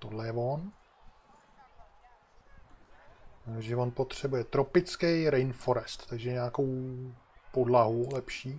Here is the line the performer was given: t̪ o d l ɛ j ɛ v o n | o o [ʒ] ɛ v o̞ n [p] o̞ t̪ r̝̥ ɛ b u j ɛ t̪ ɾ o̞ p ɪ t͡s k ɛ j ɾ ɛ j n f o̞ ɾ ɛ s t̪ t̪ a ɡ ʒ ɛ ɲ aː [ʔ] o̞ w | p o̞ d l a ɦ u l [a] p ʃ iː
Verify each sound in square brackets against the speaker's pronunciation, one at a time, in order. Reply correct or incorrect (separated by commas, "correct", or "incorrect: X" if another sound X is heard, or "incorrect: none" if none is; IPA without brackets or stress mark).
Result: correct, correct, incorrect: k, incorrect: ɛ